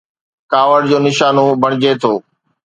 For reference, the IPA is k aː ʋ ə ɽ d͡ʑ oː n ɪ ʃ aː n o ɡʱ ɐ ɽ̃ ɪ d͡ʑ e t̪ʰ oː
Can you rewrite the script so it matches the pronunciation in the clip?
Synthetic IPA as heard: k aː ʋ ə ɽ d͡ʑ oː n ɪ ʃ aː n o bʱ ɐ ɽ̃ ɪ d͡ʑ e t̪ʰ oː